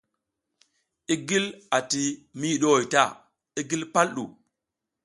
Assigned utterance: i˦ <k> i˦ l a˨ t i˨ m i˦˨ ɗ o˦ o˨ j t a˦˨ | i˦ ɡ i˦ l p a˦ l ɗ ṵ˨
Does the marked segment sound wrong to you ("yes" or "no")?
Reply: yes